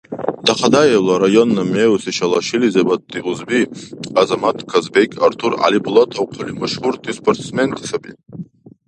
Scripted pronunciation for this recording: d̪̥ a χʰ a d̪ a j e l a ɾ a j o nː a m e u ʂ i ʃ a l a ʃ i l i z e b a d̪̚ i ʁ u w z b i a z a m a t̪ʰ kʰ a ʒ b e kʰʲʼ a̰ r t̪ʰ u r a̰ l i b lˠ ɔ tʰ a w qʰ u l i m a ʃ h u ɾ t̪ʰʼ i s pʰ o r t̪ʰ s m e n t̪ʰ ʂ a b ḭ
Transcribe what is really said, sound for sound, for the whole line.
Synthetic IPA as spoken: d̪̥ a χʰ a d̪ a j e l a ɾ a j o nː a m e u s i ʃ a l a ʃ i l i z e b a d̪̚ i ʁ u z b i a z a m a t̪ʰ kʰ a z b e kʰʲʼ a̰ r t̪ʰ u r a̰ l i b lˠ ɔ tʰ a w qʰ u l i m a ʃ h u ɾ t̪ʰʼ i s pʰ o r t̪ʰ s m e n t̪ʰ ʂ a b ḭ